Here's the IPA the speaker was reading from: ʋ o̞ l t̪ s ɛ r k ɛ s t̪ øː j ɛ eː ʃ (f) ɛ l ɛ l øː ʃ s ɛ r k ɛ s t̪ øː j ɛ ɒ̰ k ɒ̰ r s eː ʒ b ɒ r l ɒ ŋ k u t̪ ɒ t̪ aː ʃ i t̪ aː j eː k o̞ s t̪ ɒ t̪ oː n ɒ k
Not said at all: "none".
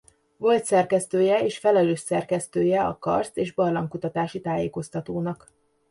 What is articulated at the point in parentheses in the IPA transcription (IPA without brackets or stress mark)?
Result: f